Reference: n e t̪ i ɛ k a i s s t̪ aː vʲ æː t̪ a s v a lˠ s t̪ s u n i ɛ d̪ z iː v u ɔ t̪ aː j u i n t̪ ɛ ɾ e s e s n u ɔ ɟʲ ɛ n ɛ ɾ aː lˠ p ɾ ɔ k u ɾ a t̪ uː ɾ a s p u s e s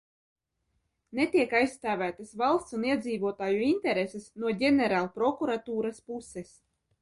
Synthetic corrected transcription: n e t̪ i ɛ k a j s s t̪ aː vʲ æː t̪ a s v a lˠ s t̪ s u n i ɛ d̪ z iː v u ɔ t̪ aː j u i n t̪ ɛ ɾ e s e s n u ɔ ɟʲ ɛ n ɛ ɾ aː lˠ p ɾ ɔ k u ɾ a t̪ uː ɾ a s p u s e s